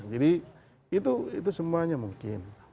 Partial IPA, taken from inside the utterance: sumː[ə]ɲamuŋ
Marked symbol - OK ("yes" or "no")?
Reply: no